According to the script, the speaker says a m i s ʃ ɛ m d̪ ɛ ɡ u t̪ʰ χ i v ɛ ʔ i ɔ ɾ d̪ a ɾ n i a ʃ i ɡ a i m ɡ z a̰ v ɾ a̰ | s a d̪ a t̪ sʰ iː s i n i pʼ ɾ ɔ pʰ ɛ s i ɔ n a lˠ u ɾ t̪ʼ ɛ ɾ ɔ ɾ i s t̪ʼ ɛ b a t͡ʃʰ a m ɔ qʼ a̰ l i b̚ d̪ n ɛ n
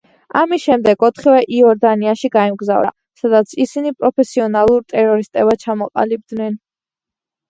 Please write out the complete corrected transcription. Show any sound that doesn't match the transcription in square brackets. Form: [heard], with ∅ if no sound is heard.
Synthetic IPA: a m i s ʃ ɛ m d̪ ɛ ɡ [ɔ] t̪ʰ χ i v ɛ ʔ i ɔ ɾ d̪ a [∅] n i a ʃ i ɡ a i m ɡ z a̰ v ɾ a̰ | s a d̪ a t̪ sʰ [i] s i n i pʼ ɾ ɔ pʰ ɛ s i ɔ n a lˠ u ɾ t̪ʼ ɛ ɾ ɔ ɾ i s t̪ʼ ɛ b a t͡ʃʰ a m ɔ qʼ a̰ l i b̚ d̪ n ɛ n